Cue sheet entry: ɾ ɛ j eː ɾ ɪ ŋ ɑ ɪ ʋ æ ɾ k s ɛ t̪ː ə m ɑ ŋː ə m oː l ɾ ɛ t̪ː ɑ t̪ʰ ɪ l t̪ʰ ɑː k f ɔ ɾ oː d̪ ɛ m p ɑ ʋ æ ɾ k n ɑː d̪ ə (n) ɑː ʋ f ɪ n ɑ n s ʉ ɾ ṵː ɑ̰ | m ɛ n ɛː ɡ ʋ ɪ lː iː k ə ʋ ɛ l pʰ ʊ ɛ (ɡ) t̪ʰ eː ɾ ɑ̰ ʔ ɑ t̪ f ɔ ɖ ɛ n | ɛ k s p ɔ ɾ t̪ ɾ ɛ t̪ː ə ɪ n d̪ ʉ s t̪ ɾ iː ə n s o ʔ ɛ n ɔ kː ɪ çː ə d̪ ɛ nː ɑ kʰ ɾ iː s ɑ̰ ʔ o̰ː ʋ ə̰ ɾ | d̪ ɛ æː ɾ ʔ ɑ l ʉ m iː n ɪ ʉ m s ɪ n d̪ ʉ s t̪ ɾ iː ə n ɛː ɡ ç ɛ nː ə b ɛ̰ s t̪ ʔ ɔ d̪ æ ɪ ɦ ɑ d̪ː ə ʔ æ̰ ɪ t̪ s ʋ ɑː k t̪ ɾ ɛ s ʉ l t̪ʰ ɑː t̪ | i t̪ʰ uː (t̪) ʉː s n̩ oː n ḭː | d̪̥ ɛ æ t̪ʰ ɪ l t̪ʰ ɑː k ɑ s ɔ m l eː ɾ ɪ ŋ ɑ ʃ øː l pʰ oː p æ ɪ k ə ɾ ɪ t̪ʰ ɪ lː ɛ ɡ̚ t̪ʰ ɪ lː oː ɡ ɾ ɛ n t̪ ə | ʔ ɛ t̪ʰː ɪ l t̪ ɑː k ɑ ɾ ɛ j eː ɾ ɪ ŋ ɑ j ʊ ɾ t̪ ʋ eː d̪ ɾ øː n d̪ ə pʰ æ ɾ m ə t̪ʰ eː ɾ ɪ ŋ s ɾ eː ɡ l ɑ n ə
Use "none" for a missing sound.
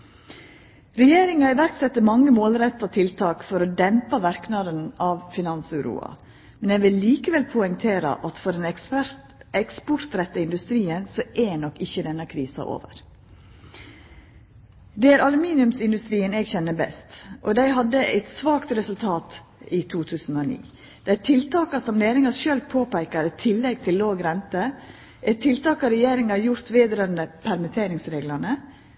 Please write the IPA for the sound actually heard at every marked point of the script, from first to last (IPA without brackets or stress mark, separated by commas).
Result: n, ŋ, t̪ʰ